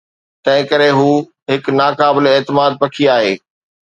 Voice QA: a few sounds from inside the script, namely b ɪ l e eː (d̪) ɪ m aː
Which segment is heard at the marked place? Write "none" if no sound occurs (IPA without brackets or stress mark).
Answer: t̪